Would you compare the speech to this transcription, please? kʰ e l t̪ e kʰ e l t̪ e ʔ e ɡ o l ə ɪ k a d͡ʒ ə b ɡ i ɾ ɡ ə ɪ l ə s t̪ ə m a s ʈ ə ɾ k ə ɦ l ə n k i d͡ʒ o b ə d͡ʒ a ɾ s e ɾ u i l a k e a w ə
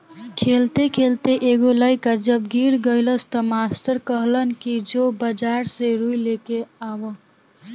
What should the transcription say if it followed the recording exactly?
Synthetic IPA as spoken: kʰ e l t̪ e kʰ e l t̪ e ʔ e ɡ o l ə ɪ k a d͡ʒ ə b ɡ i ɾ ɡ ə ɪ l ə s t̪ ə m a s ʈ ə ɾ k ə ɦ l ə n k i d͡ʒ o b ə d͡ʒ a ɾ s e ɾ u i l e k e a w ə